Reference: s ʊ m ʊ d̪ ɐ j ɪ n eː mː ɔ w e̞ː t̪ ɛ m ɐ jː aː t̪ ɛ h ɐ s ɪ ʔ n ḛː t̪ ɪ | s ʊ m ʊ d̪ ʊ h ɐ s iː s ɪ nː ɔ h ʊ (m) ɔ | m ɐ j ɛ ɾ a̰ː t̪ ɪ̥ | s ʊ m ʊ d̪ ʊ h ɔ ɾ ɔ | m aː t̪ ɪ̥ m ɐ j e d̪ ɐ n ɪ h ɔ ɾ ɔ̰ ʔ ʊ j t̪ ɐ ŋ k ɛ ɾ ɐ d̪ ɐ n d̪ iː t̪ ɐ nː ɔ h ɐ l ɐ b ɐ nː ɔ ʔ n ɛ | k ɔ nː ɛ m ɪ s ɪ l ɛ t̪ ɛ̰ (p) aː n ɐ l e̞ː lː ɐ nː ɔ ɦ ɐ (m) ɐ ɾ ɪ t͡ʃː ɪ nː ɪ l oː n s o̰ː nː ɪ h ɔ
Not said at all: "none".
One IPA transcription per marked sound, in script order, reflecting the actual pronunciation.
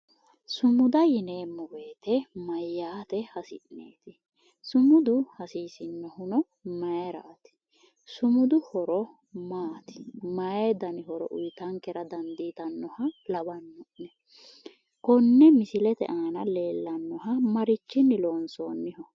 n, ʔ, m

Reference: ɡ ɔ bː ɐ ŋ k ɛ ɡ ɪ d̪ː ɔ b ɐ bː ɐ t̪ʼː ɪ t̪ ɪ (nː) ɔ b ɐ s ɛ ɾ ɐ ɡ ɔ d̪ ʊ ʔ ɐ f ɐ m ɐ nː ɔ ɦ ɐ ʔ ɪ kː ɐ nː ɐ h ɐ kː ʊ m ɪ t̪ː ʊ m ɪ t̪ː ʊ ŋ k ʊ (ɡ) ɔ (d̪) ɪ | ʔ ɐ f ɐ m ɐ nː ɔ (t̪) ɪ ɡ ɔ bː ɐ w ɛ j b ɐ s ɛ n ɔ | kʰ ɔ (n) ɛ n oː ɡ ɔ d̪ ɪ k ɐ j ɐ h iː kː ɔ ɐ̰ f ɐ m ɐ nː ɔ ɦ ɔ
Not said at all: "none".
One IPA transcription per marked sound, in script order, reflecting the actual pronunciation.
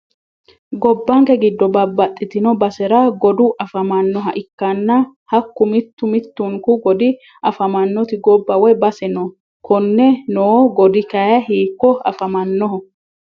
n, ɡ, d̪, t̪, nː

